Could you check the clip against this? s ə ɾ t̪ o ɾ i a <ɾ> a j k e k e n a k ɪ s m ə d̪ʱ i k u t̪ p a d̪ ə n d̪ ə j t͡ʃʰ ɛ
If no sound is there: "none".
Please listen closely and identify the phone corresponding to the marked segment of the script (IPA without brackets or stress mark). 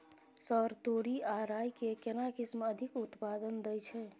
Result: ɾ